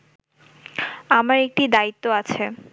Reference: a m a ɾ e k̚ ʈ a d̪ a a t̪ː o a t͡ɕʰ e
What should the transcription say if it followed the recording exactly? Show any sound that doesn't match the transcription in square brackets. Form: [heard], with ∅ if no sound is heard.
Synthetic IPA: a m a ɾ e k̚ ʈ [i] d̪ a [i] t̪ː o a t͡ɕʰ e